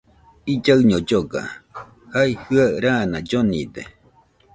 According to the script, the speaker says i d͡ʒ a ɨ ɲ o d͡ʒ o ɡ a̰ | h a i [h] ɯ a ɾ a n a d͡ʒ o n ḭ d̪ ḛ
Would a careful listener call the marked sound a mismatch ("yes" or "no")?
no